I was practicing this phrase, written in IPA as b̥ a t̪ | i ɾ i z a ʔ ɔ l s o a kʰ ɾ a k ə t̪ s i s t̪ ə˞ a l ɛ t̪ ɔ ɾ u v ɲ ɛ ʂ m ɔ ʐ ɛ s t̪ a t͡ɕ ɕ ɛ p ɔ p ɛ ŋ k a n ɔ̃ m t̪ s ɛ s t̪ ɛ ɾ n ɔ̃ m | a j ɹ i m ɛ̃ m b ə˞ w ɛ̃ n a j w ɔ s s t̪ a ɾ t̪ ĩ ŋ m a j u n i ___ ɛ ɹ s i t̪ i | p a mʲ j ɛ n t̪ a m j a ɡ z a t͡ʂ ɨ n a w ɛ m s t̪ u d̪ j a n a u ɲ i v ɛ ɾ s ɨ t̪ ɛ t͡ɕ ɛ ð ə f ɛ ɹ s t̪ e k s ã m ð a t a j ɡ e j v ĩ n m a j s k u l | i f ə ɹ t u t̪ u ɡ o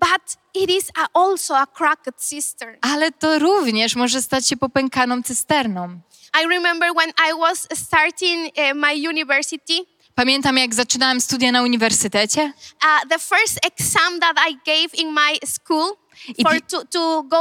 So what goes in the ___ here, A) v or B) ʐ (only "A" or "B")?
A